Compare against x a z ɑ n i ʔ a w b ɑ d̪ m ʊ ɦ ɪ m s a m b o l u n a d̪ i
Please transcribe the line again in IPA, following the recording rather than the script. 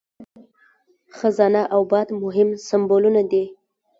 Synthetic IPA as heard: x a z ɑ n a ʔ a w b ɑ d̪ m ʊ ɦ ɪ m s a m b o l u n a d̪ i